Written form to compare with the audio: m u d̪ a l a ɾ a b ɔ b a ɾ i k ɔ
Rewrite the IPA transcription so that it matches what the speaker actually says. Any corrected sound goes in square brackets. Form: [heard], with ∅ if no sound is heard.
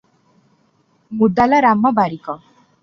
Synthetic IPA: m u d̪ a l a ɾ a [m] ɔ b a ɾ i k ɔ